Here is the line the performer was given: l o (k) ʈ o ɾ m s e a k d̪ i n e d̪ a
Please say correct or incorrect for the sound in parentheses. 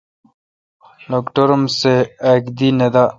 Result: correct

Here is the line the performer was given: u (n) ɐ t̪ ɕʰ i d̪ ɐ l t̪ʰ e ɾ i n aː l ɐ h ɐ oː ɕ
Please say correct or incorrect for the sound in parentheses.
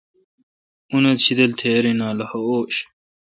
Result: correct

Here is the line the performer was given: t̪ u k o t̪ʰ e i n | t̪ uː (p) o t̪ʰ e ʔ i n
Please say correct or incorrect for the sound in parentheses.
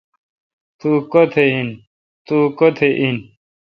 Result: incorrect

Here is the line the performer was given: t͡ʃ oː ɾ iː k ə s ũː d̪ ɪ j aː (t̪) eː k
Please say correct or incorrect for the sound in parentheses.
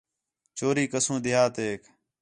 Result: correct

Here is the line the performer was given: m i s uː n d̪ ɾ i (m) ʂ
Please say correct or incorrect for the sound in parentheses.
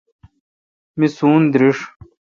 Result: incorrect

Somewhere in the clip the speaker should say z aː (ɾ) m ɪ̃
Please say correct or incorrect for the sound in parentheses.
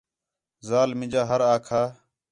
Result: incorrect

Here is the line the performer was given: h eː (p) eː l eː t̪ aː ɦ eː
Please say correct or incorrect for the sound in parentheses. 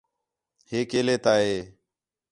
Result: incorrect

